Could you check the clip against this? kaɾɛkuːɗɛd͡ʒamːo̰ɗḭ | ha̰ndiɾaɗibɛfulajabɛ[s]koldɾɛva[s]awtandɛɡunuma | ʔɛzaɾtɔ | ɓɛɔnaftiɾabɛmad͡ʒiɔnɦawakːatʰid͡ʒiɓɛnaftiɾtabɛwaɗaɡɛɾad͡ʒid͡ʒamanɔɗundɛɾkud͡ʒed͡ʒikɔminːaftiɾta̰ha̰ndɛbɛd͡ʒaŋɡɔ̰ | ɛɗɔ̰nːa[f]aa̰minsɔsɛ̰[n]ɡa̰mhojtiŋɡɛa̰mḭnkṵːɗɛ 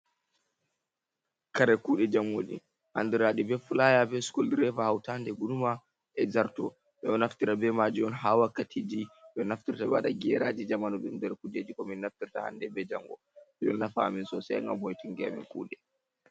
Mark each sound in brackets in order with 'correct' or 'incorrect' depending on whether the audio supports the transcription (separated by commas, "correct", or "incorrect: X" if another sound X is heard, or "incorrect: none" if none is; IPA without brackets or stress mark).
correct, incorrect: h, correct, incorrect: ŋ